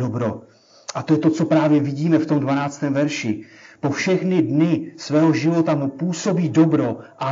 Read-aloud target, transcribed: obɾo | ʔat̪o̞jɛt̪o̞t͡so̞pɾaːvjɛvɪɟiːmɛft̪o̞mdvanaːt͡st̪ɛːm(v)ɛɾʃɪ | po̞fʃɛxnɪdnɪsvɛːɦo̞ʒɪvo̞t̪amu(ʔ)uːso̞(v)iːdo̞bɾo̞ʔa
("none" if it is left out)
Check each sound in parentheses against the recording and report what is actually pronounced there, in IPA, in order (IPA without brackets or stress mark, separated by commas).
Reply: v, p, b